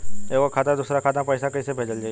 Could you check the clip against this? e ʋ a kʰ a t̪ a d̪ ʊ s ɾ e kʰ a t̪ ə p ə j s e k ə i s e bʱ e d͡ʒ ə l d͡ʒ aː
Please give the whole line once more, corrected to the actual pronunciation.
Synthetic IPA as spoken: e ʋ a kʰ a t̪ a d̪ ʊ s ɾ a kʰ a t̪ a p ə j s a k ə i s e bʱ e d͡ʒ ə l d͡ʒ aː